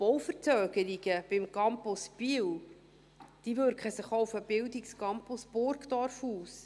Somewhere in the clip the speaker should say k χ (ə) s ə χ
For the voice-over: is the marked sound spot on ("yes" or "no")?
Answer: yes